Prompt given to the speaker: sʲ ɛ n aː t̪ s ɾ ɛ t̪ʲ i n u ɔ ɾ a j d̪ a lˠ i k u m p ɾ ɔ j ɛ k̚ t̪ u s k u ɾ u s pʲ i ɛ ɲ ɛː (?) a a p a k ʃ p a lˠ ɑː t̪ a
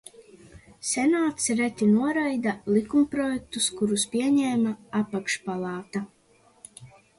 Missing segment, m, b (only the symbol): m